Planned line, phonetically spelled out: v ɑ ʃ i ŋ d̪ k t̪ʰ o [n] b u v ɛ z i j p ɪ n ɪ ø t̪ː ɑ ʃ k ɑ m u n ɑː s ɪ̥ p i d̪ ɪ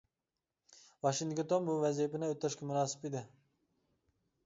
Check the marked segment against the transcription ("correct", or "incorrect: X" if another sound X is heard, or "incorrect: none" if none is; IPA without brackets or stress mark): correct